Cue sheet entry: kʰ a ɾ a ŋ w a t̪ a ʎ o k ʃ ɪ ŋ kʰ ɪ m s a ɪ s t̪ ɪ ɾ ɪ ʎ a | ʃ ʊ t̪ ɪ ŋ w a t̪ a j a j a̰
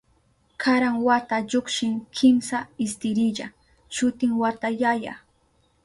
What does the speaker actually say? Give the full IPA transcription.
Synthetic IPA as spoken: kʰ a ɾ a ŋ w a t̪ a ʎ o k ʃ ɪ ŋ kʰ ɪ m s a ɪ s t̪ ɪ ɾ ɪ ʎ a | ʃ ʊ t̪ ɪ ŋ w a t̪ a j a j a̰